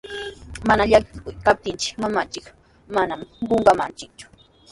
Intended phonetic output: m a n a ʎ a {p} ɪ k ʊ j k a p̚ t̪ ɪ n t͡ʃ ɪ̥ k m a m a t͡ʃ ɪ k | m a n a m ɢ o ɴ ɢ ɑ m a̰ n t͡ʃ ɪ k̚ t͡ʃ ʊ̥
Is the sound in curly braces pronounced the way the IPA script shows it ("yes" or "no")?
no